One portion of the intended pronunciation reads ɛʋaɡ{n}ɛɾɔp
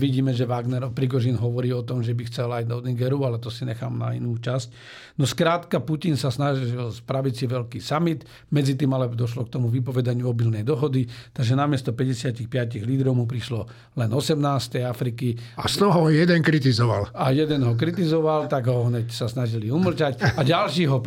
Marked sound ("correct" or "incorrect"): correct